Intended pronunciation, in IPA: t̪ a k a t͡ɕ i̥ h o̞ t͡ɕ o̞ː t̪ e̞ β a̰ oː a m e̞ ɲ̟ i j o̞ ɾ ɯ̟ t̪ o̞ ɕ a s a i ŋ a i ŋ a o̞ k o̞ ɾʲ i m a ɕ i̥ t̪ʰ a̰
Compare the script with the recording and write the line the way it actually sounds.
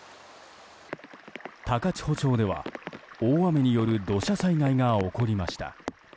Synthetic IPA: t̪ a k a t͡ɕ i̥ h o̞ t͡ɕ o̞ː d̪ e̞ β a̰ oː a m e̞ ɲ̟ i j o̞ ɾ ɯ̟ d̪ o̞ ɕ a s a i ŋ a i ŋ a o̞ k o̞ ɾʲ i m a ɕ i̥ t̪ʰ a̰